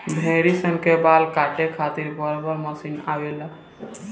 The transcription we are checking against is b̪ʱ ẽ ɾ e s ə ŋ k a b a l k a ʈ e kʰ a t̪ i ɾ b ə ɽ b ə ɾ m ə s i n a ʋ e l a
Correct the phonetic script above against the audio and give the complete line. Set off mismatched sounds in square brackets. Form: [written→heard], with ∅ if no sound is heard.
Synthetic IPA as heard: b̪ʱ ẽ ɾ [e→i] s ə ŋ k [a→e] b a l k a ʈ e kʰ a t̪ i ɾ b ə [ɽ→ɾ] b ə ɾ m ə s i n a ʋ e l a